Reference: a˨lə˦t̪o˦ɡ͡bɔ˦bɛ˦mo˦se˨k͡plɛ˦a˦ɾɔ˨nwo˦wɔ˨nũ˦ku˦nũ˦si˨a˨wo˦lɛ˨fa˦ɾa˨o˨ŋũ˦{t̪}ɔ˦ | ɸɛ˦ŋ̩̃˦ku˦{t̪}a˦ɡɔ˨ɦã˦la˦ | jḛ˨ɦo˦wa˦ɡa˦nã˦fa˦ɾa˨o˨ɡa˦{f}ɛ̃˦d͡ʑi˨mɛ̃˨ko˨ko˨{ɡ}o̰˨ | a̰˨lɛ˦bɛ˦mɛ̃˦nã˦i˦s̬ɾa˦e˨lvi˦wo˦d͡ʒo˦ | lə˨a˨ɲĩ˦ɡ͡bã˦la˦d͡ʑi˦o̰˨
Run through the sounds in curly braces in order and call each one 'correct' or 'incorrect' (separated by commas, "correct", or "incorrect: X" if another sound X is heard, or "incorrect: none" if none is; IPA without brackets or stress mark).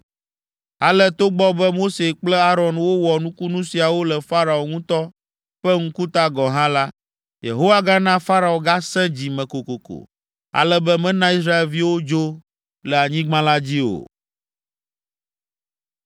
correct, correct, incorrect: s, incorrect: k